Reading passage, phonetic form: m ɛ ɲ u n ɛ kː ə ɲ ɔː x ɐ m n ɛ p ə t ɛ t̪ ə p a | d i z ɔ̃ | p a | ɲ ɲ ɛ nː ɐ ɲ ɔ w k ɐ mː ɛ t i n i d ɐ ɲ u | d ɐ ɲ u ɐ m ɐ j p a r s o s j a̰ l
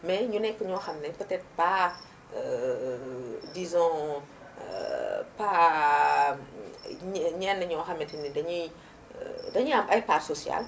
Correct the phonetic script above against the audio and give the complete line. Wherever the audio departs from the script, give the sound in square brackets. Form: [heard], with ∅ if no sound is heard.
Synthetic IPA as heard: m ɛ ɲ u n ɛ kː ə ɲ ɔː x ɐ m n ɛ p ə t ɛ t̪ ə p a | d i z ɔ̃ | p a | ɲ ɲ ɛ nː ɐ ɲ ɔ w [x] ɐ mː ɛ t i n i d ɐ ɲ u | d ɐ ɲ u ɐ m ɐ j p a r s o s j a̰ l